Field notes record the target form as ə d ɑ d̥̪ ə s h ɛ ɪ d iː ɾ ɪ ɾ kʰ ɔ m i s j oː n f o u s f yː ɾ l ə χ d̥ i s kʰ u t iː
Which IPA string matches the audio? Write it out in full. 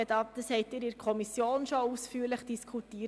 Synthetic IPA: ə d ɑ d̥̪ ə s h ɛ ɪ t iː ɾ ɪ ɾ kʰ ɔ m i s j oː n ʃ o u s f yː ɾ l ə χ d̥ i s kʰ u t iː